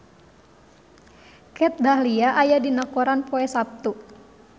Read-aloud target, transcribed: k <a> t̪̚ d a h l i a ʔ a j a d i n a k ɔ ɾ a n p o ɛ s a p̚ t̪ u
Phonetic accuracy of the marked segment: incorrect: ɛ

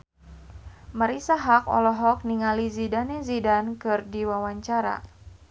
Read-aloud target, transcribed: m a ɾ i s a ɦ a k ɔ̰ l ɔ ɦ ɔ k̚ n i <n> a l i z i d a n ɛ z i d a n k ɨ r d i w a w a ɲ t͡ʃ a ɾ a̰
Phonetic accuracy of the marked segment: incorrect: ŋ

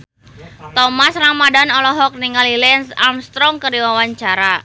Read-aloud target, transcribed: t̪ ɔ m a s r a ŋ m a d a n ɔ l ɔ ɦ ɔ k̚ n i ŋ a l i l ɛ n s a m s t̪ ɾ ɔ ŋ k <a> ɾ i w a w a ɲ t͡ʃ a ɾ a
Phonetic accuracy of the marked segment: incorrect: ə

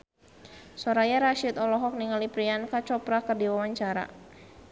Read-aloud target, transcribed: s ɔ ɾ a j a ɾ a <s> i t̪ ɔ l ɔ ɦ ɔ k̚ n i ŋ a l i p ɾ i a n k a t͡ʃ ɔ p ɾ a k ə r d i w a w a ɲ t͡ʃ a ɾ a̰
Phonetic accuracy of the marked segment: incorrect: ʃ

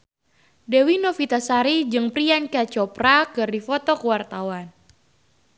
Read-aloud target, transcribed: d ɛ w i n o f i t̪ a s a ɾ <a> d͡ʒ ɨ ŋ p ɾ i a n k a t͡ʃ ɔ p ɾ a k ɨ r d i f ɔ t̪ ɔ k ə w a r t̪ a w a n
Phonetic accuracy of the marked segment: incorrect: i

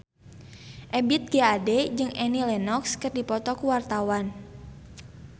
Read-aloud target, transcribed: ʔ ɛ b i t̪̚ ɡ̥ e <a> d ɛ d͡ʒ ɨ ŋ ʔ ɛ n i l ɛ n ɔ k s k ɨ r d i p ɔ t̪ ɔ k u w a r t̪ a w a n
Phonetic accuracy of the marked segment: correct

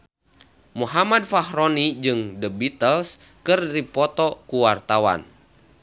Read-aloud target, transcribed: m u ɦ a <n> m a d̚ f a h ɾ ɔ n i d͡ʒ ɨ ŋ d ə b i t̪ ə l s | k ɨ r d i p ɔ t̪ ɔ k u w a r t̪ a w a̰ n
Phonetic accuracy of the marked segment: incorrect: none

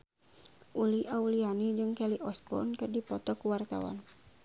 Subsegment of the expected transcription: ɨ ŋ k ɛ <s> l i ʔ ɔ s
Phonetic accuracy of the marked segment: incorrect: none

